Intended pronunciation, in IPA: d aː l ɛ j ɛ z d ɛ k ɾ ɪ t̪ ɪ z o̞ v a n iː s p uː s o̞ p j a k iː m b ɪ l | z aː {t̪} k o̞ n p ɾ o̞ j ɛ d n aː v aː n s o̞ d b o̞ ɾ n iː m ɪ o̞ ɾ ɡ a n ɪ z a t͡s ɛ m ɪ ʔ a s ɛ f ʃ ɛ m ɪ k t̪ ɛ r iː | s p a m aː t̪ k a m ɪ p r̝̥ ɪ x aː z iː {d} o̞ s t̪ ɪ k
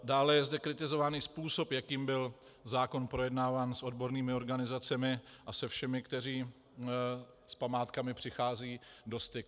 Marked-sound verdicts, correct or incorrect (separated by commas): incorrect, correct